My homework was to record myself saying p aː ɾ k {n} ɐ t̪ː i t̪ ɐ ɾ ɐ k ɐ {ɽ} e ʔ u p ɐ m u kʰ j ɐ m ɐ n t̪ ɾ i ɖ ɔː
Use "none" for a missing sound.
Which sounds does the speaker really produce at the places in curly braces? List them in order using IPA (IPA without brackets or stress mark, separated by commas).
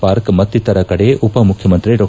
m, ɽ